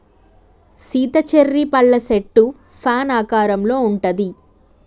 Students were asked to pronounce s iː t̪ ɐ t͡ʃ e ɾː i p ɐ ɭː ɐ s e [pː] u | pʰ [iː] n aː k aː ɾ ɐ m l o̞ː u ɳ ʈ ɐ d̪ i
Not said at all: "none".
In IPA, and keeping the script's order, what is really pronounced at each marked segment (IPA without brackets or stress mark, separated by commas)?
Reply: ʈː, aː